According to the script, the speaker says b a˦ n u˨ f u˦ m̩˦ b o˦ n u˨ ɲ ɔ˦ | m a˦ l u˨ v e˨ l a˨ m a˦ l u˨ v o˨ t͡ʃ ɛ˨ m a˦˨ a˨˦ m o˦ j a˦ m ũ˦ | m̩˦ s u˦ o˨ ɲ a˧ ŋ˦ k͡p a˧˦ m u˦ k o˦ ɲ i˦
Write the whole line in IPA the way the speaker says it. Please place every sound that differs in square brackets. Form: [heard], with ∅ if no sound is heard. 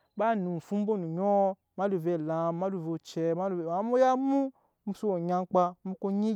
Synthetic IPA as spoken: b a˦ n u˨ f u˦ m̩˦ b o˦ n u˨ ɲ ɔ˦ | m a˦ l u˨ v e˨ l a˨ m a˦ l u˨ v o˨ t͡ʃ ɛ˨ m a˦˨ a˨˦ m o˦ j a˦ m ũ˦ | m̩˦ s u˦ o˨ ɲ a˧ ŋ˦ k͡p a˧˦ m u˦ k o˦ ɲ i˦